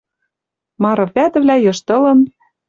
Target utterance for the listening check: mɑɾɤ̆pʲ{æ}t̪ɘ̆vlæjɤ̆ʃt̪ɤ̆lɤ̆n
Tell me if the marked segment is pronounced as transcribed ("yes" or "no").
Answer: yes